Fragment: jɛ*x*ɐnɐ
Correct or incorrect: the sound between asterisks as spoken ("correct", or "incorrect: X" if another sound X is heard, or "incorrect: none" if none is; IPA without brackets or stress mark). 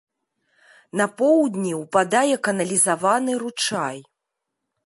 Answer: incorrect: k